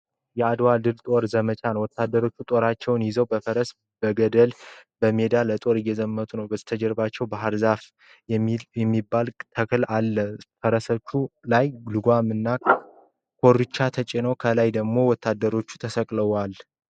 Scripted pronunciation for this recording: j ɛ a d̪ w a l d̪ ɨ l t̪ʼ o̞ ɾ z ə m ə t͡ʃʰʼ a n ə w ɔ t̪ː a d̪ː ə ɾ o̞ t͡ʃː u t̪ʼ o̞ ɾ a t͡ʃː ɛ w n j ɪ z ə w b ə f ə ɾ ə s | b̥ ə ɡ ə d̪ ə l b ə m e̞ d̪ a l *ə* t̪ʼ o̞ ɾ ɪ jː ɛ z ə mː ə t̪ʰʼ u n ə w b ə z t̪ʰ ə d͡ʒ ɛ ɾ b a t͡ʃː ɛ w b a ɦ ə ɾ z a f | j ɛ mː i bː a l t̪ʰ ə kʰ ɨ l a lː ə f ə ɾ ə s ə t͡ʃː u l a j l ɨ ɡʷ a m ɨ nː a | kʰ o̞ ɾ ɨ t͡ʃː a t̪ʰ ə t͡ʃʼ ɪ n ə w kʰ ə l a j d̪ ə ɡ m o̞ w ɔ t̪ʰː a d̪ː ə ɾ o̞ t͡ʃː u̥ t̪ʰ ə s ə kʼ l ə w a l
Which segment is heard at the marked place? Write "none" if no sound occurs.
ə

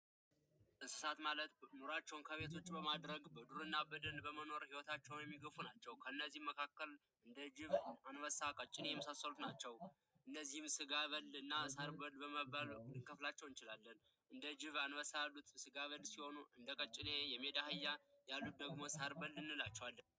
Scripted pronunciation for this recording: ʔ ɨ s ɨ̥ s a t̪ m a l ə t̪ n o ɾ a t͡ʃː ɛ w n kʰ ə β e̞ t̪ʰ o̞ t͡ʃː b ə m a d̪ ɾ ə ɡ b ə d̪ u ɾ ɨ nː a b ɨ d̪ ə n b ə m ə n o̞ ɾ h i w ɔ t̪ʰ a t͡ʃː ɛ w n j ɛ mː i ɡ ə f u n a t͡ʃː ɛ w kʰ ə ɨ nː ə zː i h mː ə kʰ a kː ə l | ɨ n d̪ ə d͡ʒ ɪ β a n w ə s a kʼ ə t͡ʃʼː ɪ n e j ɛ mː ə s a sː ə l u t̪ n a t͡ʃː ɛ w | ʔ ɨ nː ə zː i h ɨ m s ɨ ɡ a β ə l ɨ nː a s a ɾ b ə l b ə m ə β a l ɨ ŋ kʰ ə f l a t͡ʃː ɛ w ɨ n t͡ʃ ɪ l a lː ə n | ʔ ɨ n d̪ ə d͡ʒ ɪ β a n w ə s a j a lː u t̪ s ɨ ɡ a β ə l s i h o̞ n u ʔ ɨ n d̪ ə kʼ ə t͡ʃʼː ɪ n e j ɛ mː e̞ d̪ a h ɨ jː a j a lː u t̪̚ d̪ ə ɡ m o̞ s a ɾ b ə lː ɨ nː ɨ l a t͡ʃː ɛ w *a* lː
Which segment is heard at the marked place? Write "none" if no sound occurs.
a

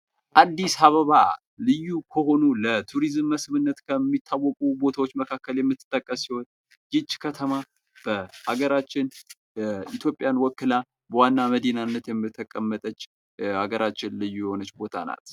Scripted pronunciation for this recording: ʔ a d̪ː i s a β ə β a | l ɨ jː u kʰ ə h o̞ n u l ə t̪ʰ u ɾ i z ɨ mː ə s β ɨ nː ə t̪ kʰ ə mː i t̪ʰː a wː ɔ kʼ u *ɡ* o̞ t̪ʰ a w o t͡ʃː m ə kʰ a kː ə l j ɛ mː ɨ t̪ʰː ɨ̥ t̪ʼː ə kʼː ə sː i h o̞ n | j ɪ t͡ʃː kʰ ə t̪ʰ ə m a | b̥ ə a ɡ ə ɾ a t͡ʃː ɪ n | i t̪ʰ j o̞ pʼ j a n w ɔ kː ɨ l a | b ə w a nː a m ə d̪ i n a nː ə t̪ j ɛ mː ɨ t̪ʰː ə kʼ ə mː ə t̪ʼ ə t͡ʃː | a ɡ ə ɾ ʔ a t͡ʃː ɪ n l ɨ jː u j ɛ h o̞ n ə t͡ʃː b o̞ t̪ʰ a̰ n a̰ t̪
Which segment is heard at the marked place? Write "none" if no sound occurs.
b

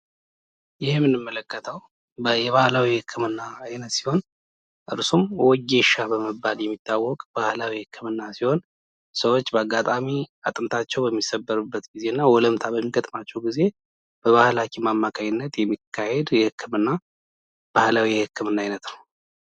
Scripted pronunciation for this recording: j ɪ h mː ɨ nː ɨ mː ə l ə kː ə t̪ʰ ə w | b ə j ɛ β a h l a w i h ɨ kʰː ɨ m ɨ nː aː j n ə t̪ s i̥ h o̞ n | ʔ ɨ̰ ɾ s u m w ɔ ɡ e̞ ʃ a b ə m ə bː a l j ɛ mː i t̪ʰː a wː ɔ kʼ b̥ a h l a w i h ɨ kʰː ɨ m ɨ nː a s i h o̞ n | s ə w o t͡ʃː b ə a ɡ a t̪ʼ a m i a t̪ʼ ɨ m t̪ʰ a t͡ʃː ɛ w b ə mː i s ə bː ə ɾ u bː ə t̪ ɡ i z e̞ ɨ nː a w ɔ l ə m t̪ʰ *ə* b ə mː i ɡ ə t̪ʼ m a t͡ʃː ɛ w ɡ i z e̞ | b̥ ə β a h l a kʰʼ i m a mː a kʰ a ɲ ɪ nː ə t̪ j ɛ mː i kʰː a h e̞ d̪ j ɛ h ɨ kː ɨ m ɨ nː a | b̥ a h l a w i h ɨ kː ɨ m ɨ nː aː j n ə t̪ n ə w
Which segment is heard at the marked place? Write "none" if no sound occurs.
a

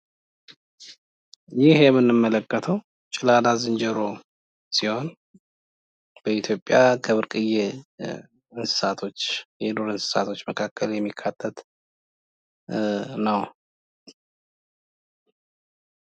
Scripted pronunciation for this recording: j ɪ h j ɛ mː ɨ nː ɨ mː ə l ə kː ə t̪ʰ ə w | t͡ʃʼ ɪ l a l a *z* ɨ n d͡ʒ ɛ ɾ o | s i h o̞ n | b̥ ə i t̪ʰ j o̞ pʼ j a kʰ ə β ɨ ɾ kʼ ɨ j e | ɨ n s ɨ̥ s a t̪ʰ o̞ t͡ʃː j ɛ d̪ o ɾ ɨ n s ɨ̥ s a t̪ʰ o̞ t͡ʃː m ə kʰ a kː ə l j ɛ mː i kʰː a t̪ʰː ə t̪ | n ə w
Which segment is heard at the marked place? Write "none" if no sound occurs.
z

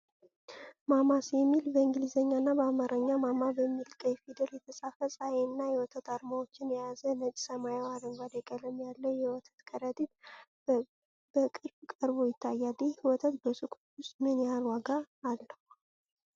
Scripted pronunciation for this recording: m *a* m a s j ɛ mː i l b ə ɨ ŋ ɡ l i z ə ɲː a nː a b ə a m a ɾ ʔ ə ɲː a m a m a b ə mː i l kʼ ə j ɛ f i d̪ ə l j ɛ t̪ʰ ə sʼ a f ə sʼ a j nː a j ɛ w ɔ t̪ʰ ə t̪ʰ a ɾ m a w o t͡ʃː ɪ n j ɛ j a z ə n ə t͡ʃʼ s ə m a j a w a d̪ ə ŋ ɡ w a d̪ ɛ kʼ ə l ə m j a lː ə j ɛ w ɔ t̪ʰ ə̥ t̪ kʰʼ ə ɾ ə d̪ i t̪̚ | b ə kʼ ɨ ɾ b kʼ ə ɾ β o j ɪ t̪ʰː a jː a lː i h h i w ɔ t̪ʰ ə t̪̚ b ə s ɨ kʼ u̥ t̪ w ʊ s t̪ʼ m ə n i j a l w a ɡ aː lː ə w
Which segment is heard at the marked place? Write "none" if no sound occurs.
a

